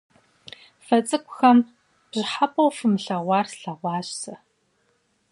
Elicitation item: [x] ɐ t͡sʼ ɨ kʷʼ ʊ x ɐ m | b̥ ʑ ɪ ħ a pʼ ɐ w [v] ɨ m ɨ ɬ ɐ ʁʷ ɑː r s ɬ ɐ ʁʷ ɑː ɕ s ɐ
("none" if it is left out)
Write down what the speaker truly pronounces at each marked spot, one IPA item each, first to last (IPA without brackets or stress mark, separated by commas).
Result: f, f